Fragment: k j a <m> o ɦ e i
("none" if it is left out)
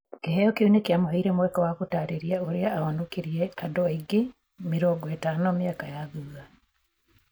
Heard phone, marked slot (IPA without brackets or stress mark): m